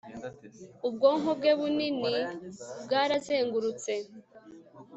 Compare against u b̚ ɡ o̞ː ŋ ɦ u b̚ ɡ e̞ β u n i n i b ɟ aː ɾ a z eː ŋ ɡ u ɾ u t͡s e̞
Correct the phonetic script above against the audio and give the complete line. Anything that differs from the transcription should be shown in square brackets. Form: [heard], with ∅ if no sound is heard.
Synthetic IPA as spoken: u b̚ ɡ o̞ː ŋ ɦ [o] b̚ ɡ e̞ β u n i n i b [ɡ] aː ɾ a z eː ŋ ɡ u ɾ u t͡s e̞